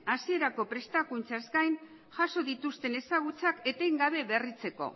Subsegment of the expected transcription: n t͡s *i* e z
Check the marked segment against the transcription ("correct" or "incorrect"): incorrect